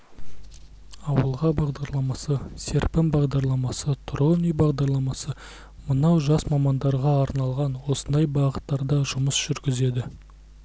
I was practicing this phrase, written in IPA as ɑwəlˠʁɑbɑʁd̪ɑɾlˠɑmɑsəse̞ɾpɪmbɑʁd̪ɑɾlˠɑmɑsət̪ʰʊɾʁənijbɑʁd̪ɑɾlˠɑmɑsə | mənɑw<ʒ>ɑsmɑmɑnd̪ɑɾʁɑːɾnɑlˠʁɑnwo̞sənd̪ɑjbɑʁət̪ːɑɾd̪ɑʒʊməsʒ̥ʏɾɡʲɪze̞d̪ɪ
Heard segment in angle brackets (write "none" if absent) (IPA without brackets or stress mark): ʒ